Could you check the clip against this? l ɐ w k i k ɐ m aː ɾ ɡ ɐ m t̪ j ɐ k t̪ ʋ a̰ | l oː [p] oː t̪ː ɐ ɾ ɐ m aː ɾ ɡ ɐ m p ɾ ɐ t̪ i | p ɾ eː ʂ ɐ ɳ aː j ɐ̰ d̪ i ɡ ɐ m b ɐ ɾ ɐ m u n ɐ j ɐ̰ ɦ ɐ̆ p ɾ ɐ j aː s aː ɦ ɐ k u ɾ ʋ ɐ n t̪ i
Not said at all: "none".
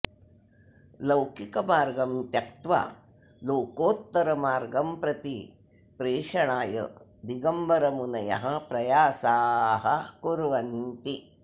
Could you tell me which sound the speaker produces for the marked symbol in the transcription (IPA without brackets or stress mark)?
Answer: k